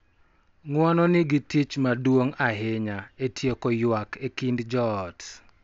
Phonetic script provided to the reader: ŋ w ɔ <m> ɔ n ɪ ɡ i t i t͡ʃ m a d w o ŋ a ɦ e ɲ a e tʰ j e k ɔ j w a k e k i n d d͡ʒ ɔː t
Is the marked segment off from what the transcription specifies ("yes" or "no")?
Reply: yes